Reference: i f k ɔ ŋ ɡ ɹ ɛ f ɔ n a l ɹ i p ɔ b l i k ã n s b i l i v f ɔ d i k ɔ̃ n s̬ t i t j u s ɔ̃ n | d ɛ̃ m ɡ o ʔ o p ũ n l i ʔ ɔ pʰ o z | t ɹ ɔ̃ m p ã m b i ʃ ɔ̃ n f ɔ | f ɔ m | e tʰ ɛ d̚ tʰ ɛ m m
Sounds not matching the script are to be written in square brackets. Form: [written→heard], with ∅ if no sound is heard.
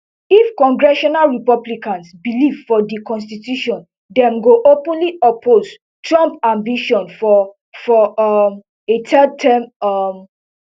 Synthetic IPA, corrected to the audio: i f k [ɔ→ɔ̃] ŋ ɡ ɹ ɛ [f→ʃ] ɔ n a l ɹ i p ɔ b l i k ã n s b i l i v f ɔ d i k ɔ̃ n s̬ t i t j u [s→ʃ] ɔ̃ n | d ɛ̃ m ɡ o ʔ o p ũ n l i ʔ ɔ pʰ o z | t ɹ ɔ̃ m p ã m b i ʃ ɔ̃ n f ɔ | f ɔ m | e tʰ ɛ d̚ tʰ ɛ m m